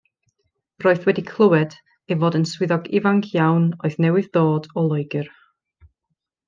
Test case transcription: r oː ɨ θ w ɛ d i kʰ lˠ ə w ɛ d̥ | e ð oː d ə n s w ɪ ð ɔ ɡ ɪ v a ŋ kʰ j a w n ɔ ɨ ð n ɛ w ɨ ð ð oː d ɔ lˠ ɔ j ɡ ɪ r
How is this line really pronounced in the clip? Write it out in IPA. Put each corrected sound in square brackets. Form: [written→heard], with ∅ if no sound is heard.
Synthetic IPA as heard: r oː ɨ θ w ɛ d i kʰ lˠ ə w ɛ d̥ | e [ð→v] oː d ə n s w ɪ ð ɔ ɡ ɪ v a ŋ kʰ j a w n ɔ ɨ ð n ɛ w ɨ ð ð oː d ɔ lˠ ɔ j ɡ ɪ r